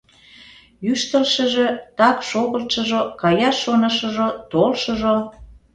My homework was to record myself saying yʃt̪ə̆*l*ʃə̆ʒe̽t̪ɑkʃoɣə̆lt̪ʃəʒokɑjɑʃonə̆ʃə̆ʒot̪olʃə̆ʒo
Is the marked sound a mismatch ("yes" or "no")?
no